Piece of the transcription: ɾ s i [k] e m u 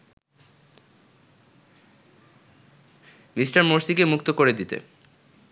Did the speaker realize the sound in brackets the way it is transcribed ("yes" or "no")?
yes